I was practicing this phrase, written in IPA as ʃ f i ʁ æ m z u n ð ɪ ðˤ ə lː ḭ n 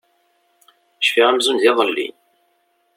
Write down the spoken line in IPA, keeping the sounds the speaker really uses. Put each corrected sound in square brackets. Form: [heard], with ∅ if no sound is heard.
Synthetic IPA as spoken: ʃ f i ʁ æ m z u n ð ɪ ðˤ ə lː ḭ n